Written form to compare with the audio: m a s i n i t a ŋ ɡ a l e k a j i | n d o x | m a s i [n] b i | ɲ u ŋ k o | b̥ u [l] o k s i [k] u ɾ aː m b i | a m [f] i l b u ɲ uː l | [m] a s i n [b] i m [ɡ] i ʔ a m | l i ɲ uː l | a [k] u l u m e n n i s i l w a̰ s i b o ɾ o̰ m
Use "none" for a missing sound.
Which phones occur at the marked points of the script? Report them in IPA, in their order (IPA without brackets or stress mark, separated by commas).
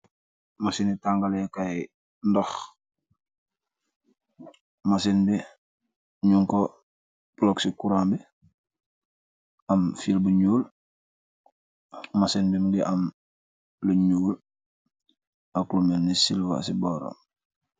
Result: n, l, k, f, m, b, ɡ, k